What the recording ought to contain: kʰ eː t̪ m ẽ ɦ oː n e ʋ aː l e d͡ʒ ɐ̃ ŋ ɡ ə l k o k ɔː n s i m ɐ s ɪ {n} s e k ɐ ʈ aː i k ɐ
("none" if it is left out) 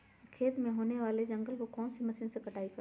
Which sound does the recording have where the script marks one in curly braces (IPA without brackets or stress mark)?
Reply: n